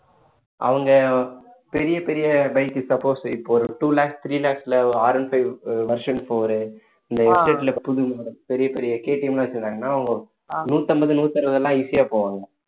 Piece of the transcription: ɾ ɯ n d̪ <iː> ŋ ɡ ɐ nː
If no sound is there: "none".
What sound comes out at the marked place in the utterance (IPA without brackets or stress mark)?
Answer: aː